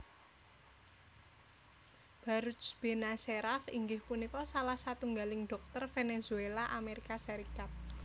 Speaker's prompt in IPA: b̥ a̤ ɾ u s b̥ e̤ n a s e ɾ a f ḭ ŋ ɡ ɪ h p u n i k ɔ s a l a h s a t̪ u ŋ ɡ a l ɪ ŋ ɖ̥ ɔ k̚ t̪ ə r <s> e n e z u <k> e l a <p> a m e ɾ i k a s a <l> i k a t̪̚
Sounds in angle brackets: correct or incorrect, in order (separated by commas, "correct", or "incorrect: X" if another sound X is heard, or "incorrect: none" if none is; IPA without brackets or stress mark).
incorrect: f, incorrect: none, incorrect: ʔ, incorrect: ɾ